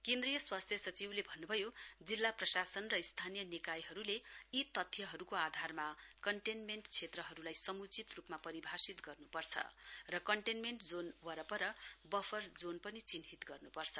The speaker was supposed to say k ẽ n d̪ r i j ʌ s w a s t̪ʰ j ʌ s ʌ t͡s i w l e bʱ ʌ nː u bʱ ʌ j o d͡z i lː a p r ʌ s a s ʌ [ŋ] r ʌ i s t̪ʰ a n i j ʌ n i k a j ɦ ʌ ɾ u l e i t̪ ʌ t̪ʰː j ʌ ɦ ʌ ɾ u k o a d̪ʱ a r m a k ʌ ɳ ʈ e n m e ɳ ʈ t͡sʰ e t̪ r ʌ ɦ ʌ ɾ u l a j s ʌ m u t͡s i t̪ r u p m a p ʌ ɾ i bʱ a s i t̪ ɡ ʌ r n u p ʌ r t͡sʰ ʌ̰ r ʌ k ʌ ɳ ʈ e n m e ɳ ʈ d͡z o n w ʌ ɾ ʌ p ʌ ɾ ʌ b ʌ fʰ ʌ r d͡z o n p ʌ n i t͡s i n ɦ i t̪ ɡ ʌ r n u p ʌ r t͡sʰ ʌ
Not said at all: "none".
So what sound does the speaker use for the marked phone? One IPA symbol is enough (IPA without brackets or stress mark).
n